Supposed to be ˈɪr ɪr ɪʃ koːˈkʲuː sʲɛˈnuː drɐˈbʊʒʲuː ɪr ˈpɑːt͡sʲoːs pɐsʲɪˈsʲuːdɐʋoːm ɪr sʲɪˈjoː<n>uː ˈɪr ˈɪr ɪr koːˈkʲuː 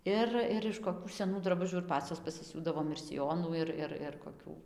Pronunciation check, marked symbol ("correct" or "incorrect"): correct